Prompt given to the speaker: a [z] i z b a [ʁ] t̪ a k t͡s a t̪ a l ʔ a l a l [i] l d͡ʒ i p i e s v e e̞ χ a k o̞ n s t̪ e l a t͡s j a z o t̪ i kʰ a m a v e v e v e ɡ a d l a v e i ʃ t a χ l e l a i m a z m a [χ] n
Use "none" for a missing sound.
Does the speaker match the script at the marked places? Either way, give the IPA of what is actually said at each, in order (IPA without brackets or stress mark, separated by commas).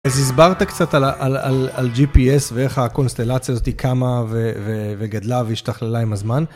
z, ʁ, a, none